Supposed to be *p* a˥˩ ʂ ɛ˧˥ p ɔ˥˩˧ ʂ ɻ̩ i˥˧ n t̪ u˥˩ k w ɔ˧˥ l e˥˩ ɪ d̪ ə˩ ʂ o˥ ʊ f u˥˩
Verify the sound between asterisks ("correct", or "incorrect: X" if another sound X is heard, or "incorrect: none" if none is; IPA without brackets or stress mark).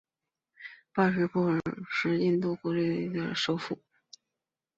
correct